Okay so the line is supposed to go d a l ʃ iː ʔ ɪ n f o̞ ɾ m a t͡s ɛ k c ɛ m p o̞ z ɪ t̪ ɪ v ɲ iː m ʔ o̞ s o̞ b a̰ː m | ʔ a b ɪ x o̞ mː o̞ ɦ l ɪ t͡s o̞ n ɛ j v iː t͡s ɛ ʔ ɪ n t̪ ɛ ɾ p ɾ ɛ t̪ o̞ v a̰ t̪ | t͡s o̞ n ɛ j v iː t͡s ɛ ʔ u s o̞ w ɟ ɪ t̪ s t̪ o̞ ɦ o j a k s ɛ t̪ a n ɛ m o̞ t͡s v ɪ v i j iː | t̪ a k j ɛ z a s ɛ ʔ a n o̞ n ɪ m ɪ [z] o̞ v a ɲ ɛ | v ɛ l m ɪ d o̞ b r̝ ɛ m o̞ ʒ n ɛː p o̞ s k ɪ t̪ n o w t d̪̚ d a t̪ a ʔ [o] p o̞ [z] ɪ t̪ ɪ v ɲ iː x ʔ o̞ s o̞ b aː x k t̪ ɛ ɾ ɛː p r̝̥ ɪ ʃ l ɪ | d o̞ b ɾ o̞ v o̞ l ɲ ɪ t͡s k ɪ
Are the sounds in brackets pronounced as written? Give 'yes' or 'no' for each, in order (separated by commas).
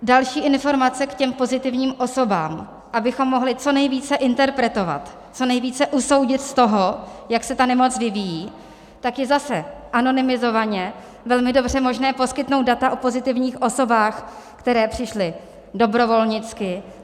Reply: yes, yes, yes